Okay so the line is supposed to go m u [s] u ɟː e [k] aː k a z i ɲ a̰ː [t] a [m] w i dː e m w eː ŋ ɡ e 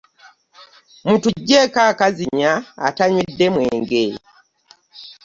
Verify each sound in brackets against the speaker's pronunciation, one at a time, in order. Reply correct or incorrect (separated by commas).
incorrect, correct, correct, incorrect